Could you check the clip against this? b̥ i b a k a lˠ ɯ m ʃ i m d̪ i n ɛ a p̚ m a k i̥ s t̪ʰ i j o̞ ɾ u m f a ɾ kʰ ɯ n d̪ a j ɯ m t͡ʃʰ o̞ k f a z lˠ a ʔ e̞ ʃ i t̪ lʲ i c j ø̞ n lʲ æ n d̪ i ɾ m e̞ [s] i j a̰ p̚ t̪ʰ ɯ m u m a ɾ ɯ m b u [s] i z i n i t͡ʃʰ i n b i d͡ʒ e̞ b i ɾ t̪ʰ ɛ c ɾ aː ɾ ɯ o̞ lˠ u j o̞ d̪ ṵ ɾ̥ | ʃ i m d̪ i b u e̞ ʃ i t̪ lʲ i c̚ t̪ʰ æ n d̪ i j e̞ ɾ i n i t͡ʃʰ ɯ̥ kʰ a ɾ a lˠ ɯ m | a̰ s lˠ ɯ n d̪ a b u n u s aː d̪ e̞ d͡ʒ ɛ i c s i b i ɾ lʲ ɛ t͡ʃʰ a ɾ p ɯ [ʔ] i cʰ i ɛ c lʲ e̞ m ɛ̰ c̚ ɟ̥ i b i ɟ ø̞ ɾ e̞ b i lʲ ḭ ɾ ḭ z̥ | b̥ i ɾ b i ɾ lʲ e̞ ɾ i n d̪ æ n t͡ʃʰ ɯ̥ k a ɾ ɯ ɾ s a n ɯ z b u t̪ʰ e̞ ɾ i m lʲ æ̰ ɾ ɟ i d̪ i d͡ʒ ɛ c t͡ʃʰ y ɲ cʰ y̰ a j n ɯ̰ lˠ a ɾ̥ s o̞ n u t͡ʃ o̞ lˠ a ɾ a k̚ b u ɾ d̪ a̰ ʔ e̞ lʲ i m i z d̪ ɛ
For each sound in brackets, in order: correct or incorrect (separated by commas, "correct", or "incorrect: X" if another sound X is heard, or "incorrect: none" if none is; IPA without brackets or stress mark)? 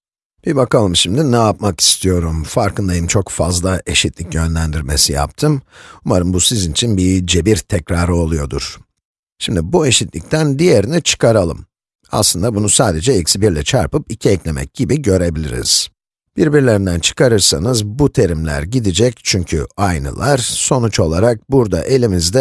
correct, correct, incorrect: p